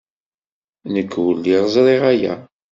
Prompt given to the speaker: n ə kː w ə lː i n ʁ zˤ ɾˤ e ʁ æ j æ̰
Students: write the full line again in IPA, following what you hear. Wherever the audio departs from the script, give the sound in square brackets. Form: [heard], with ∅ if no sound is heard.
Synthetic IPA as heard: n ə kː w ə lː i [∅] ʁ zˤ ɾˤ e ʁ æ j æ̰